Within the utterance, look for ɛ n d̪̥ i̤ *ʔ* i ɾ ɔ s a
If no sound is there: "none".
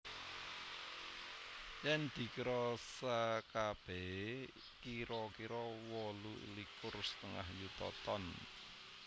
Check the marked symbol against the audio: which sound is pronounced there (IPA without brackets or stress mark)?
k